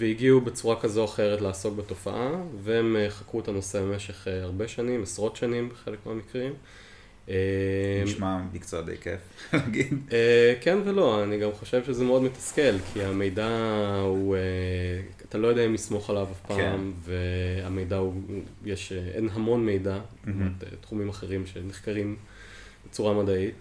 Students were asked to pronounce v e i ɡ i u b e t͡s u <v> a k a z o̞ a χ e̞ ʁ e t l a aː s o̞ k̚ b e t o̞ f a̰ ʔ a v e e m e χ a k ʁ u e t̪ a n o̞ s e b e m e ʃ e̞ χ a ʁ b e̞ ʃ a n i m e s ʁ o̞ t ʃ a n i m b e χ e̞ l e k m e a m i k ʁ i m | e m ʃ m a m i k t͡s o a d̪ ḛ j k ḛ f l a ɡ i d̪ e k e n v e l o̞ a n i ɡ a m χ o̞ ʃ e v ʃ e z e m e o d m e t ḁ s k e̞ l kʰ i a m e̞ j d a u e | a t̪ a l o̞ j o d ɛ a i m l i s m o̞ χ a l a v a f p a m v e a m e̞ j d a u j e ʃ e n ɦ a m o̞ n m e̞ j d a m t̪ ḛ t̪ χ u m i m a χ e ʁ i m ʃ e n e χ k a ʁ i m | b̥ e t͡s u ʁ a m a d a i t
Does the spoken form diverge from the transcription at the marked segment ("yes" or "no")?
yes